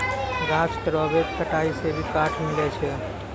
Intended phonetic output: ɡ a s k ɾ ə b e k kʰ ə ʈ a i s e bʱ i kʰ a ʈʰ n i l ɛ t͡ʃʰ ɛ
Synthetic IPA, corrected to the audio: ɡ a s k ɾ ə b e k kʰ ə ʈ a i s e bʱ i k a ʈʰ m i l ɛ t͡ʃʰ ɛ